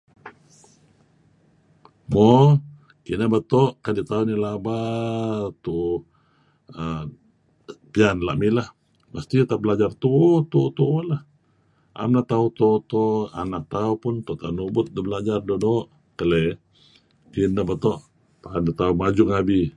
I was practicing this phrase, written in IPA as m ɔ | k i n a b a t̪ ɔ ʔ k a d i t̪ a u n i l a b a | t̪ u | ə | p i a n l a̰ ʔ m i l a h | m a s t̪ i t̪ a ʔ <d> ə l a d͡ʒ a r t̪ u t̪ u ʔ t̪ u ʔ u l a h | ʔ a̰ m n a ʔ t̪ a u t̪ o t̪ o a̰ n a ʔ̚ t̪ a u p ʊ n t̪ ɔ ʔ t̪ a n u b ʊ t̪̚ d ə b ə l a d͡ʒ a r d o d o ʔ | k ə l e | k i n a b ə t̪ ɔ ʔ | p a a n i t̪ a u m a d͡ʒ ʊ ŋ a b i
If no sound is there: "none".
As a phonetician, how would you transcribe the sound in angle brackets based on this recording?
b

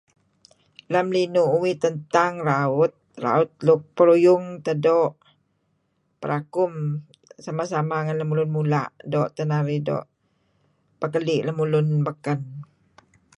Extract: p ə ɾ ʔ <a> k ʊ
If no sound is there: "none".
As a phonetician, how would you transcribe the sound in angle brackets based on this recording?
a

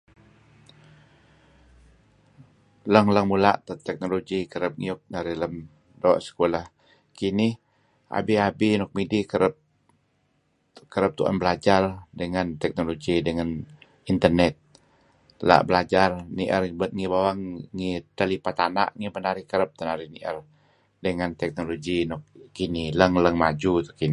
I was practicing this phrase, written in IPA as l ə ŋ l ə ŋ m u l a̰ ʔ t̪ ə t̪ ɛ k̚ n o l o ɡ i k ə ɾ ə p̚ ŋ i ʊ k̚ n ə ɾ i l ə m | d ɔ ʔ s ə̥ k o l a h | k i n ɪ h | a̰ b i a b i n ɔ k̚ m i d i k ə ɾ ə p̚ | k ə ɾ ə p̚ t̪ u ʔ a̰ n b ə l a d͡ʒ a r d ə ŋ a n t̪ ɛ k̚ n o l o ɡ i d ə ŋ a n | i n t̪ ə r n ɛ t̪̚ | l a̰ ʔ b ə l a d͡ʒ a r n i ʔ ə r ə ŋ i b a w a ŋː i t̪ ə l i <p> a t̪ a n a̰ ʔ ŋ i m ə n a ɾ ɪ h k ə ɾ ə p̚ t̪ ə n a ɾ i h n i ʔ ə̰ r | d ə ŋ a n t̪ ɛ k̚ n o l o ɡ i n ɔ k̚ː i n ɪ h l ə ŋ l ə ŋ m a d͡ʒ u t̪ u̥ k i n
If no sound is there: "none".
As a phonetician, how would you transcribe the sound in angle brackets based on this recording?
p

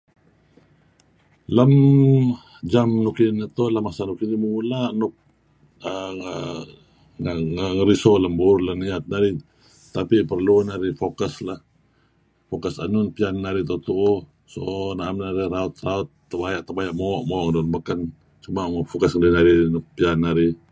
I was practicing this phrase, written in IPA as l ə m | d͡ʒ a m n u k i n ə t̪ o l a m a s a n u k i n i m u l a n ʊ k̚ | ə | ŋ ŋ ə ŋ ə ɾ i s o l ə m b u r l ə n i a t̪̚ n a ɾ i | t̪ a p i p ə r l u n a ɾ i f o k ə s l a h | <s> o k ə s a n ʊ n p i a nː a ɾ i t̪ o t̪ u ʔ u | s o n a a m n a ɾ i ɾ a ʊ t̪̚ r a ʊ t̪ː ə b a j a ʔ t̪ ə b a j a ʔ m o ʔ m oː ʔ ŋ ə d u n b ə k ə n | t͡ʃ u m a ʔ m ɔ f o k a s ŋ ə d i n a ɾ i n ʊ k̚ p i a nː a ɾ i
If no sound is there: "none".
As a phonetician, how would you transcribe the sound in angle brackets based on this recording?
f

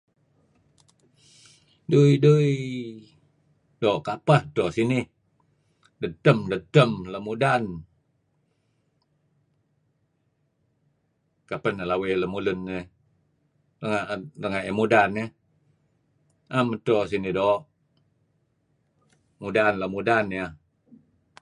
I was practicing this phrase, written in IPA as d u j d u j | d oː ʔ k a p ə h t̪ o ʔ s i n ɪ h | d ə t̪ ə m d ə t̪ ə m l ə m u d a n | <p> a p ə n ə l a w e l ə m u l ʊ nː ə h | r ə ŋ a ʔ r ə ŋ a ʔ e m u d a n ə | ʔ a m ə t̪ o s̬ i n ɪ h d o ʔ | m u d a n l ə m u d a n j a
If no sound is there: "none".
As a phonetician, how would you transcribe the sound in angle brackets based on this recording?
k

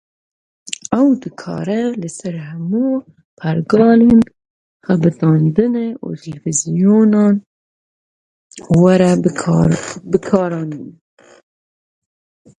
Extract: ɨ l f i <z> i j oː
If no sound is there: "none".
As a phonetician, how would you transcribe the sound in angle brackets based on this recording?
z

